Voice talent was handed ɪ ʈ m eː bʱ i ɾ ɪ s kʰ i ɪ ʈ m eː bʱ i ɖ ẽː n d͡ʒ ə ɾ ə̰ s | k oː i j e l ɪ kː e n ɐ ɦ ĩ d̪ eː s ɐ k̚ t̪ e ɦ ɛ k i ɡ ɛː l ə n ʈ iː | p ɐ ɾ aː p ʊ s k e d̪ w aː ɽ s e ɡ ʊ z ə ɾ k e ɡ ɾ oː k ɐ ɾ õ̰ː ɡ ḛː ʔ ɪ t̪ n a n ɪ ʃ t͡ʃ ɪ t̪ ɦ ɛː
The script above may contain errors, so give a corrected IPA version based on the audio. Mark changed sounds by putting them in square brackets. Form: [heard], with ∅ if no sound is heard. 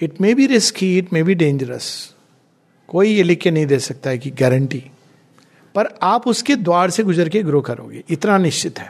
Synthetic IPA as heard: ɪ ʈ m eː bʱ i ɾ ɪ s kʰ i ɪ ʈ m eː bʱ i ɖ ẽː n d͡ʒ ə ɾ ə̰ s | k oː i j e l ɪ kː e n ɐ ɦ ĩ d̪ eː s ɐ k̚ t̪ [a] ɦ ɛ k i ɡ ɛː [ɾ] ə [ɳ] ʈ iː | p ɐ ɾ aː p ʊ s k e d̪ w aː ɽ s e ɡ ʊ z ə ɾ k e ɡ ɾ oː k ɐ ɾ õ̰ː ɡ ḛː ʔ ɪ t̪ n a n ɪ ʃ t͡ʃ ɪ t̪ ɦ ɛː